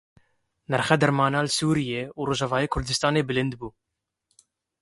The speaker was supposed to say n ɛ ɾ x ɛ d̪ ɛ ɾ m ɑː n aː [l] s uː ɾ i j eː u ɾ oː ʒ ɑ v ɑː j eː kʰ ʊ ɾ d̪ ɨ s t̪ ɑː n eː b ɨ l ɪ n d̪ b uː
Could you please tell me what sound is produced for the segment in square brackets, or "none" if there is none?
l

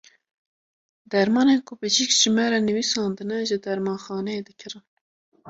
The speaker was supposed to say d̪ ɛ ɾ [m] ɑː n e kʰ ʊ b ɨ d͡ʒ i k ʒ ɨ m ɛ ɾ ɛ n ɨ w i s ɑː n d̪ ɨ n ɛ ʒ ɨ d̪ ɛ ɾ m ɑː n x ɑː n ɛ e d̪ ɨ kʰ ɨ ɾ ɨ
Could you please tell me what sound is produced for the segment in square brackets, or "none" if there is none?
m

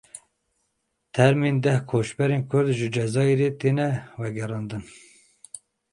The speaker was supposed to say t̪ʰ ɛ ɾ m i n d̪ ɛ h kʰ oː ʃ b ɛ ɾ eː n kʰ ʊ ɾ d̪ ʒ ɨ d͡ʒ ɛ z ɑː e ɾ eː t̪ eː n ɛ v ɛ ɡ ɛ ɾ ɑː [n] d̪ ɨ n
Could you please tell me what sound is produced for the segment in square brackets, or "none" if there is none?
n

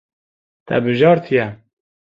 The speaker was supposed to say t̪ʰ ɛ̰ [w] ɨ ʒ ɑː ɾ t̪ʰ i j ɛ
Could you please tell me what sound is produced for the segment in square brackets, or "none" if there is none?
b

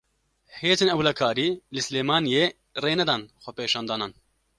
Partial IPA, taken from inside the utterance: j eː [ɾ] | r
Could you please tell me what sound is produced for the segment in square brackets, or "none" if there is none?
none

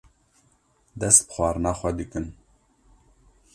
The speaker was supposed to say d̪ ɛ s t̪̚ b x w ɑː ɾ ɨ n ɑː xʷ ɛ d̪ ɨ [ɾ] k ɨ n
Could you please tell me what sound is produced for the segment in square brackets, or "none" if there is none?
none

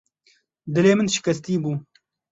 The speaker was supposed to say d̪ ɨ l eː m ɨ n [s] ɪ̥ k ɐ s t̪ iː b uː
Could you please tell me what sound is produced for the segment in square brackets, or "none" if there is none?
ʃ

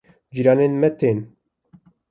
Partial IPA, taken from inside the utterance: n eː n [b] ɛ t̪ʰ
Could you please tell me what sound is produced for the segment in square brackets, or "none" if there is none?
m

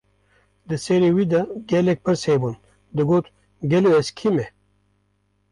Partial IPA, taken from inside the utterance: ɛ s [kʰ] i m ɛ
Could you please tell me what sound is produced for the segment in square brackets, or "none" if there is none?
kʰ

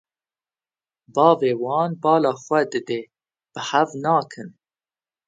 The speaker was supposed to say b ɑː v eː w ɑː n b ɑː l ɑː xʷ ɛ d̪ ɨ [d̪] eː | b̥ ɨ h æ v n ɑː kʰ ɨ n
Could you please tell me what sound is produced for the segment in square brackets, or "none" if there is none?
d̪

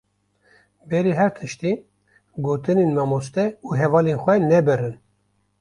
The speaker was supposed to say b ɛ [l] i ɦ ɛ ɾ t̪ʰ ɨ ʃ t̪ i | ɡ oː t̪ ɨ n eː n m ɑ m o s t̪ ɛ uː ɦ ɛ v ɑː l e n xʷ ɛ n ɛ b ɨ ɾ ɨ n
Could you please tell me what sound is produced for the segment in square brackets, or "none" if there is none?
ɾ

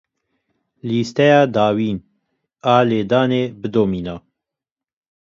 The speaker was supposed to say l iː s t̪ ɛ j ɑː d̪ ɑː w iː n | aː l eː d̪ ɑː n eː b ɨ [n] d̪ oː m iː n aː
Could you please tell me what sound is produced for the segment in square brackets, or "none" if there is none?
none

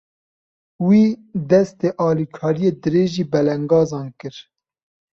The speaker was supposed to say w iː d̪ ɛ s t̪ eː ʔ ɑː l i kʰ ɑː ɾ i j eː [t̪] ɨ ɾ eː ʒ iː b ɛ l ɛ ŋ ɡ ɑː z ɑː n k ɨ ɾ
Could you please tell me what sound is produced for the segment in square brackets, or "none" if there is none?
d̪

